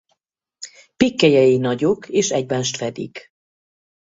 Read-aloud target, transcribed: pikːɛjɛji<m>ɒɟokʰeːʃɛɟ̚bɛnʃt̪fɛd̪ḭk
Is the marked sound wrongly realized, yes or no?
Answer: yes